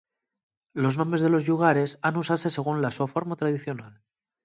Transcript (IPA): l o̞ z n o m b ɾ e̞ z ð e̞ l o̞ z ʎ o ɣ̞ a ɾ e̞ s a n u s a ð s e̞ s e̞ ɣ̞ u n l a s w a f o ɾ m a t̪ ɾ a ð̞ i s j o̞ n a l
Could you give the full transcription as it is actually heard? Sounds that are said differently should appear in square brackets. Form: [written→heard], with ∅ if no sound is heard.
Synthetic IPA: l o̞ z n o m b ɾ e̞ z ð e̞ l o̞ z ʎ [o→u] ɣ̞ a ɾ e̞ s a n u s a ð s e̞ s e̞ ɣ̞ u n l a s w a f o ɾ m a t̪ ɾ a ð̞ i [s→θ] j o̞ n a l